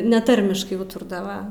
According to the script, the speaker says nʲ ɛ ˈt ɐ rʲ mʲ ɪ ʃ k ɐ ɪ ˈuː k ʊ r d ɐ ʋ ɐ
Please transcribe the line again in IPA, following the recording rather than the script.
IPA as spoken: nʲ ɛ ˈt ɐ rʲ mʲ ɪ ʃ k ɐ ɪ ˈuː t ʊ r d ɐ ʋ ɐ